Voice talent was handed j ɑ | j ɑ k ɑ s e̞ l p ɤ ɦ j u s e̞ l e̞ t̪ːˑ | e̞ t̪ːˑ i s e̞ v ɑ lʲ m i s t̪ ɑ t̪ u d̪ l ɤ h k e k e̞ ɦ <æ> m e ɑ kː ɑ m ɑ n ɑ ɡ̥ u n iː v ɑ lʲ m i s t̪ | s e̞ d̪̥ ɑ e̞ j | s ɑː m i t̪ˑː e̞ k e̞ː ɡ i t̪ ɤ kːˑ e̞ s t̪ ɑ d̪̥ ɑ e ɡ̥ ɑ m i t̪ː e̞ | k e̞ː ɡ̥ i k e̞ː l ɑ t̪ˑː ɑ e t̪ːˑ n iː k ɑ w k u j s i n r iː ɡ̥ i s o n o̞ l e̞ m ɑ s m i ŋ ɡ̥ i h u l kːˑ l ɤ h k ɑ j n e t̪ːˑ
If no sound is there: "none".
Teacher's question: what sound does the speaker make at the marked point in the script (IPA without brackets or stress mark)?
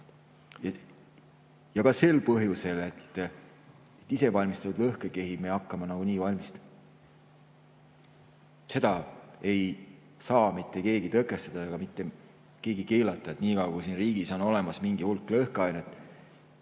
i